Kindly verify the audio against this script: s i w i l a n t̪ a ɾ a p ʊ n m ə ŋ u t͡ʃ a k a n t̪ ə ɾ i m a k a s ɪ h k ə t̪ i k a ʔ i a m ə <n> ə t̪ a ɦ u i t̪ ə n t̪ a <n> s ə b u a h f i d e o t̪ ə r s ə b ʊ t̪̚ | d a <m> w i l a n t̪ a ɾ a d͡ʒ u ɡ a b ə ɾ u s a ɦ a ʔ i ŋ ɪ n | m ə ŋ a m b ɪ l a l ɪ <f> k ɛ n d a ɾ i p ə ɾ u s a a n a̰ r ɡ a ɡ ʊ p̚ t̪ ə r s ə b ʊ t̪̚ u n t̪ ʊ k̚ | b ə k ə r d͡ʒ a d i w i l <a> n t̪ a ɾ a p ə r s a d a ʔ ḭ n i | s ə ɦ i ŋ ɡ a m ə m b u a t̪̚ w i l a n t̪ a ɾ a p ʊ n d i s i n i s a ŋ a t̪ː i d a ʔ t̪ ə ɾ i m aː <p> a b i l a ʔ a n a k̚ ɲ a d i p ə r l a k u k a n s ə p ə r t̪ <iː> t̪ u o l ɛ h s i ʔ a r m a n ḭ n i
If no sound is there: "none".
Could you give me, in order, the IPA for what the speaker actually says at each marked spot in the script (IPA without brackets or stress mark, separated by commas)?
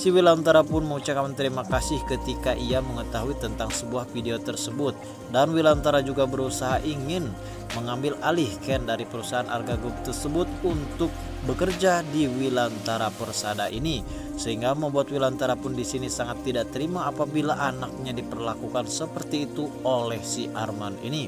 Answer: ŋ, ŋ, n, h, a, p, iː